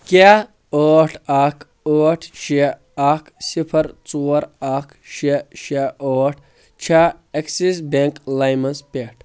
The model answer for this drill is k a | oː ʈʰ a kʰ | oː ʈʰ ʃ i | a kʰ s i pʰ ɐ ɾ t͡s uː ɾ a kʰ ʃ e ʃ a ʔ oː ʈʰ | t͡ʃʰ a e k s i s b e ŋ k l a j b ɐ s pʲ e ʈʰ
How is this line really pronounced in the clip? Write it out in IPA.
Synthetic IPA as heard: k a | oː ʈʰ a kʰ | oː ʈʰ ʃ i | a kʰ s i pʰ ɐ ɾ t͡s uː ɾ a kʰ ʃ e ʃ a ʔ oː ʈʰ | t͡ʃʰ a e k s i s b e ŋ k l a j m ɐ s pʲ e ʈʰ